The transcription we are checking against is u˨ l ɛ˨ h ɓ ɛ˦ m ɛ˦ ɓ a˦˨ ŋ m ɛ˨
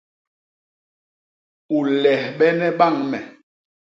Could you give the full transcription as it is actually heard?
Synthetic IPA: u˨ l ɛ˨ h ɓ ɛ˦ n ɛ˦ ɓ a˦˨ ŋ m ɛ˨